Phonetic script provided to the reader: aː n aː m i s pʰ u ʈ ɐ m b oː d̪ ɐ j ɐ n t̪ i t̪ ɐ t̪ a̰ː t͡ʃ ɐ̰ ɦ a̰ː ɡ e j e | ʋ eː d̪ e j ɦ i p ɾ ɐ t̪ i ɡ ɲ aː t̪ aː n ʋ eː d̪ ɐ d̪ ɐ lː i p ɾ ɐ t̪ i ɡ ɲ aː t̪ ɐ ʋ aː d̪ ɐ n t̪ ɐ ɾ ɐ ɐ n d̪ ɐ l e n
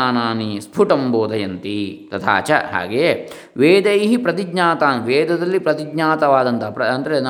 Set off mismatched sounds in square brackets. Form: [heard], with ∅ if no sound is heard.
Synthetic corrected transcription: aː n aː [n] i s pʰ u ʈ ɐ m b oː d̪ ɐ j ɐ n t̪ i t̪ ɐ [t̪ʰ] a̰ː t͡ʃ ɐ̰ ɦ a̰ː ɡ e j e | ʋ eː d̪ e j ɦ i p ɾ ɐ t̪ i ɡ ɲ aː t̪ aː n ʋ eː d̪ ɐ d̪ ɐ lː i p ɾ ɐ t̪ i ɡ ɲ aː t̪ ɐ ʋ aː d̪ ɐ n t̪ ɐ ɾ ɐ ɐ n d̪ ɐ [ɾ] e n